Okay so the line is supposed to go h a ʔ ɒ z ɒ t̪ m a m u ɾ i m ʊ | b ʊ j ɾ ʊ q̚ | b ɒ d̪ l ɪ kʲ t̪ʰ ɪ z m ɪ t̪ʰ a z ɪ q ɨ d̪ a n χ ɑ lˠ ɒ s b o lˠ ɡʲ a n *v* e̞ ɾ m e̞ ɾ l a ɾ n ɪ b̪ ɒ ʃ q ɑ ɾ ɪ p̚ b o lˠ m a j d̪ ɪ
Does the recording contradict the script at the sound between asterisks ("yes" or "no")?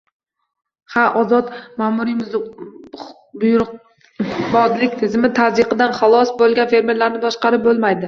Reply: yes